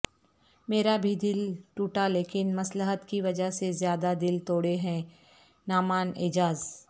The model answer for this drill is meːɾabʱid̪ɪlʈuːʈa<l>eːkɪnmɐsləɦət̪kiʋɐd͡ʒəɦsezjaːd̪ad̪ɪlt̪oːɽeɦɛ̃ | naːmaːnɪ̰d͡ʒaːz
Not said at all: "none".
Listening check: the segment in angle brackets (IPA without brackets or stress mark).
l